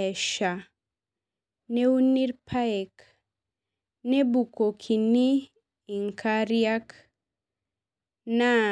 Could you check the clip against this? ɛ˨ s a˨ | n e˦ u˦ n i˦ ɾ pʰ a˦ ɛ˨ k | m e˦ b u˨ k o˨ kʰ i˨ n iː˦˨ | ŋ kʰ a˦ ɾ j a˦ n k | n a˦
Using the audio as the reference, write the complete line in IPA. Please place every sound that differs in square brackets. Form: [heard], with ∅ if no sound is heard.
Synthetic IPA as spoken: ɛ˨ [ʃ] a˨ | n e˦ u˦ n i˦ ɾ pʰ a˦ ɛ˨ k | [n] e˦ b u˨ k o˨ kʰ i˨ n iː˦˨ | ŋ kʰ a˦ ɾ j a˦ [∅] k | n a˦